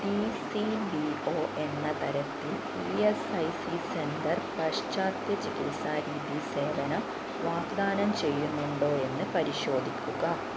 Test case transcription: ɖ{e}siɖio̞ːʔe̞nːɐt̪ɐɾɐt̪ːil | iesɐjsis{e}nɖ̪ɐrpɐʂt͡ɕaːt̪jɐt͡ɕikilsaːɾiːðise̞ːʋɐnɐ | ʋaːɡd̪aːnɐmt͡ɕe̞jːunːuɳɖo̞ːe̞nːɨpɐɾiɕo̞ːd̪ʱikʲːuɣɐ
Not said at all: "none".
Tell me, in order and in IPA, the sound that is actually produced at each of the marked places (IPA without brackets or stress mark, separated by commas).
i, e